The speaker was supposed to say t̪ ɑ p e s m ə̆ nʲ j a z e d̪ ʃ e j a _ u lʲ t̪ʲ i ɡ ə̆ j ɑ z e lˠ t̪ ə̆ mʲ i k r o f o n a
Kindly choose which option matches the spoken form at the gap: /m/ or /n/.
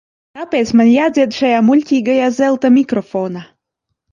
m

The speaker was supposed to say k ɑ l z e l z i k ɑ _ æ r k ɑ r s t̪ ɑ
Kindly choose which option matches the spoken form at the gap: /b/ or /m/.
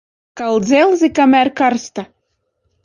m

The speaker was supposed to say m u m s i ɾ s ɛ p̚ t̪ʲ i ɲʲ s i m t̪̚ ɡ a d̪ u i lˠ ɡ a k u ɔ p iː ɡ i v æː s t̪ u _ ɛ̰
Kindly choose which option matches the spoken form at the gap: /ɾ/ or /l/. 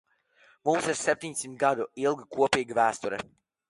ɾ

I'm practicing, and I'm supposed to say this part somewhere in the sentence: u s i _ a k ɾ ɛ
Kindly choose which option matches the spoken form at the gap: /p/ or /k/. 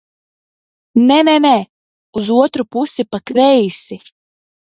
p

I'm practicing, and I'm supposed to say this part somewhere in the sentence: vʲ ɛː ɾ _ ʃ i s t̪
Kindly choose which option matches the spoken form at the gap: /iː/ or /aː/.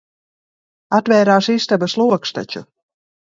aː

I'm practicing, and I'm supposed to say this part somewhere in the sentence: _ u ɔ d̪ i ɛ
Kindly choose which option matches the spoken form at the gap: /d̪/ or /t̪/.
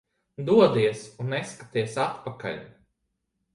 d̪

